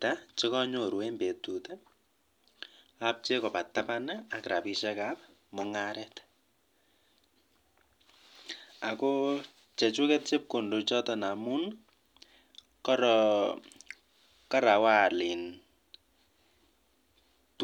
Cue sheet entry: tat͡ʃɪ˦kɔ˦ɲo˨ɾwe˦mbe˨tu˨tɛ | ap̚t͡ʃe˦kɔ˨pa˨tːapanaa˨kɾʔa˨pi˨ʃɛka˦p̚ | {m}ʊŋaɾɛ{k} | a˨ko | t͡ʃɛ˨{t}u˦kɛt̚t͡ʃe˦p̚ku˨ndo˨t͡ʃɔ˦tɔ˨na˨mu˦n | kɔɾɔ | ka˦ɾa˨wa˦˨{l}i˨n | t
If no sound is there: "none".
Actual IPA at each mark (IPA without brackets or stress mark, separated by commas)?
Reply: m, t, t͡ʃ, l